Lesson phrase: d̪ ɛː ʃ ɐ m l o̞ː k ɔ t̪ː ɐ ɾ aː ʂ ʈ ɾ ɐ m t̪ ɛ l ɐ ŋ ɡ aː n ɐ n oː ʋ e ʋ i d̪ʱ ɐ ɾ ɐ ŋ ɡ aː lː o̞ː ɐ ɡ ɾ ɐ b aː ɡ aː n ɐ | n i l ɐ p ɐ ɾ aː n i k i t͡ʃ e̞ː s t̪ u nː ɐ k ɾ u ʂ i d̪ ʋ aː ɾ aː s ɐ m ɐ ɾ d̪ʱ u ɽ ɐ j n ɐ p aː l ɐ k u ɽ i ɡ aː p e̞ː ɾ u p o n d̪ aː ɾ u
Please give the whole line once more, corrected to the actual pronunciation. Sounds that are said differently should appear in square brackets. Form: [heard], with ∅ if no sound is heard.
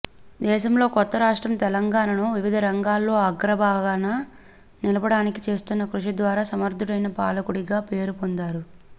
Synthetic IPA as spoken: d̪ ɛː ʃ ɐ m l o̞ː k ɔ t̪ː ɐ ɾ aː ʂ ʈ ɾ ɐ m t̪ ɛ l ɐ ŋ ɡ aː n ɐ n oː ʋ [i] ʋ i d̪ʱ ɐ ɾ ɐ ŋ ɡ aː lː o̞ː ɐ ɡ ɾ ɐ b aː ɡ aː n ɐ | n i l ɐ [b] ɐ [ɽ] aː n i k i t͡ʃ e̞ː s t̪ u nː ɐ k ɾ u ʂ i d̪ ʋ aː ɾ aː s ɐ m ɐ ɾ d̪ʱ u ɽ ɐ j n ɐ p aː l ɐ k u ɽ i ɡ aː p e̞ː ɾ u p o n d̪ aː ɾ u

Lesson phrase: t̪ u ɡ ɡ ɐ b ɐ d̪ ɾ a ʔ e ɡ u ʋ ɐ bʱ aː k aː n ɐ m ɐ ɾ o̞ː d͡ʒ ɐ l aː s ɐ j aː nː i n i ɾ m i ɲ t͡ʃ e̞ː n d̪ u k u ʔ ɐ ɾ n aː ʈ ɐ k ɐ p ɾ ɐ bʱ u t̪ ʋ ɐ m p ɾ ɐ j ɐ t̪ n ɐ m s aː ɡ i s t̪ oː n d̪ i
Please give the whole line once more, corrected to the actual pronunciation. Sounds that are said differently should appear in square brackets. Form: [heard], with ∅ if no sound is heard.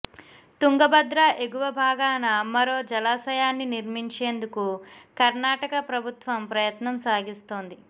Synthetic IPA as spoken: t̪ u [ŋ] ɡ ɐ b ɐ d̪ ɾ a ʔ e ɡ u ʋ ɐ bʱ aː [ɡ] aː n ɐ m ɐ ɾ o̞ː d͡ʒ ɐ l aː s ɐ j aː nː i n i ɾ m i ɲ t͡ʃ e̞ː n d̪ u k u [k] ɐ ɾ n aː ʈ ɐ k ɐ p ɾ ɐ bʱ u t̪ ʋ ɐ m p ɾ ɐ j ɐ t̪ n ɐ m s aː ɡ i s t̪ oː n d̪ i

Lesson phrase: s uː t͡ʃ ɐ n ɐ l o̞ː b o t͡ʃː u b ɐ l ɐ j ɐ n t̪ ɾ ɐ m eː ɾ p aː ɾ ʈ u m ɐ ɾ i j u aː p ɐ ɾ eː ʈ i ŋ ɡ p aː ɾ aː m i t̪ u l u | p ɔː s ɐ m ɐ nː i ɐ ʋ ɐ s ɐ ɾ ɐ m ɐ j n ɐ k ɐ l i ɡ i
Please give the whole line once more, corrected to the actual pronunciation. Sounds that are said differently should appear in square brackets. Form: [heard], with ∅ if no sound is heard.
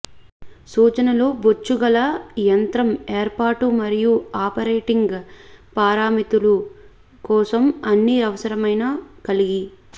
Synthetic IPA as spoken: s uː t͡ʃ ɐ n ɐ l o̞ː b o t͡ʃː u [ɡ] ɐ l ɐ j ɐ n t̪ ɾ ɐ m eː ɾ p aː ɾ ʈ u m ɐ ɾ i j u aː p ɐ ɾ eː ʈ i ŋ ɡ p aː ɾ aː m i t̪ u l u | [k] ɔː s ɐ m ɐ nː i ɐ ʋ ɐ s ɐ ɾ ɐ m ɐ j n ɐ k ɐ l i ɡ i

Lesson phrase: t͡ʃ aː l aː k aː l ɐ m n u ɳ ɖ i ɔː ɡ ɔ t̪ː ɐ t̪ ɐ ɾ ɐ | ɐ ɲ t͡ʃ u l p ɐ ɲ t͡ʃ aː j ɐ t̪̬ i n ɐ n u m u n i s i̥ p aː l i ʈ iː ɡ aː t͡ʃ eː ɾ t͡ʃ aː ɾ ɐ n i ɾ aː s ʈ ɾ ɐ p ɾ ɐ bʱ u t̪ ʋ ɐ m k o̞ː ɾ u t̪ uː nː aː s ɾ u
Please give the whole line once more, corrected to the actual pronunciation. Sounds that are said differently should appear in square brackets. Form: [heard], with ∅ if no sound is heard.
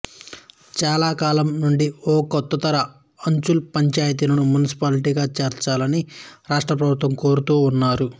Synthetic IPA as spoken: t͡ʃ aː l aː k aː l ɐ m n u ɳ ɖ i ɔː [k] ɔ t̪ː ɐ t̪ ɐ ɾ ɐ | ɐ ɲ t͡ʃ u l p ɐ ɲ t͡ʃ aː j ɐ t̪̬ i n ɐ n u m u n i s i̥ p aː l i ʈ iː ɡ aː t͡ʃ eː ɾ t͡ʃ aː [l] ɐ n i ɾ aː [ʂ] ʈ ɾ ɐ p ɾ ɐ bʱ u t̪ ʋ ɐ m k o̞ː ɾ u t̪ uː nː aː [∅] ɾ u

